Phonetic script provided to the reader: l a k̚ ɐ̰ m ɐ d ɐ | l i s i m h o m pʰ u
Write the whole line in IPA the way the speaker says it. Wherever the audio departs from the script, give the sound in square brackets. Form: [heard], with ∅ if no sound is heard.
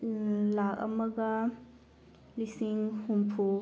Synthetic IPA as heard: l a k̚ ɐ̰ m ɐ [ɡ] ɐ | l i s i [ŋ] h [u] m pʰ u